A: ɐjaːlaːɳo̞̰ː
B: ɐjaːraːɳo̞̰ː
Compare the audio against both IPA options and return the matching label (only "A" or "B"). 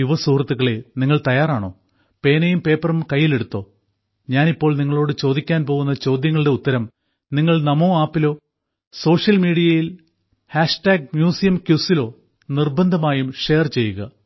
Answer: B